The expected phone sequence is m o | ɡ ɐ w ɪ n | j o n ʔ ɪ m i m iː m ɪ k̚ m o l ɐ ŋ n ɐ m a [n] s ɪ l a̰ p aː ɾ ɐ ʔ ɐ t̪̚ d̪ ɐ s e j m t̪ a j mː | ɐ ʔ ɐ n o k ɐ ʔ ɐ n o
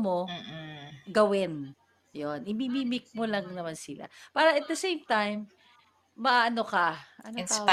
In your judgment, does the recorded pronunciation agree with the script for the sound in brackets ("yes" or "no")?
yes